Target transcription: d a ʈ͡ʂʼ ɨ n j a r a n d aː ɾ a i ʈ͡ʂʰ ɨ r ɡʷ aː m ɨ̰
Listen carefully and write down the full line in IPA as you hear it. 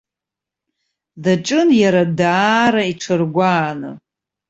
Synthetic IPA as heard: d a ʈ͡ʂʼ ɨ n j a ɾ a d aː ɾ a i ʈ͡ʂʰ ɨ r ɡʷ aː n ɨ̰